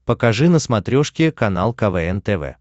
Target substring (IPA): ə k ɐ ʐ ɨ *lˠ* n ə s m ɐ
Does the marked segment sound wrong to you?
yes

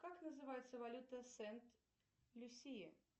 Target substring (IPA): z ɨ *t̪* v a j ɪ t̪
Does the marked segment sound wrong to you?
yes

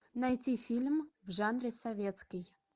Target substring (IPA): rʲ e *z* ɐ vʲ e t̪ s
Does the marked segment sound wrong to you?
yes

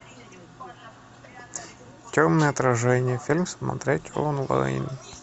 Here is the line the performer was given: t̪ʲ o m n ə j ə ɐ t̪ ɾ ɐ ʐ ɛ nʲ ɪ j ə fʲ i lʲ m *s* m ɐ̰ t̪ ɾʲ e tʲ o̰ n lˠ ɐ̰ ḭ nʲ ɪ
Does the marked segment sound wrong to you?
no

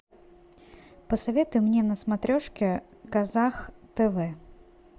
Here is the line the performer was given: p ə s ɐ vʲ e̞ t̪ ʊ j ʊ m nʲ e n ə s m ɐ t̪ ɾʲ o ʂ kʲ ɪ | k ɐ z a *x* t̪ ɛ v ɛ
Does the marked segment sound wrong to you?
no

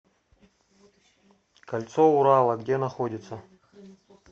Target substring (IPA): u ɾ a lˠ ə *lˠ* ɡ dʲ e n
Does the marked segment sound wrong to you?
yes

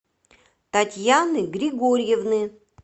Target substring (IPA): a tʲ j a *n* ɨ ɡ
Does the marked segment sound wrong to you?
no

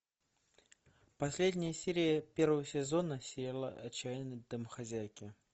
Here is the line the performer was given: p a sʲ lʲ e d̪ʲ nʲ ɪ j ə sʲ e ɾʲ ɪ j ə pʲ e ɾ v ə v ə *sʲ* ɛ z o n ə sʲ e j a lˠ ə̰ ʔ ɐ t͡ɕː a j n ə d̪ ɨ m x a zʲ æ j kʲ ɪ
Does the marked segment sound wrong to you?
no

